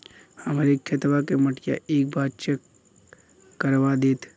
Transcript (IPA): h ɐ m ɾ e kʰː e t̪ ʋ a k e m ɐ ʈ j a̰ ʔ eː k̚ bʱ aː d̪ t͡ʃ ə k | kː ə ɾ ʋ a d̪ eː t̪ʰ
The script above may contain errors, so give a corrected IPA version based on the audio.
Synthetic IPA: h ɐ m ɾ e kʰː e t̪ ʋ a k e m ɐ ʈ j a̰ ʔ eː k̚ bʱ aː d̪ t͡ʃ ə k | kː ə ɾ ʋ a d̪ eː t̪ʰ